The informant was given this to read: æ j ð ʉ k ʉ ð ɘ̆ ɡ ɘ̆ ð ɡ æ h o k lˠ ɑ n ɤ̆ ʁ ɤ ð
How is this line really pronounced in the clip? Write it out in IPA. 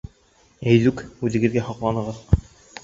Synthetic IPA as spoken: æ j ð ʉ k ʉ ð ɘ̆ ɡ ɘ̆ ð ɡ æ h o q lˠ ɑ n ɤ̆ ʁ ɤ ð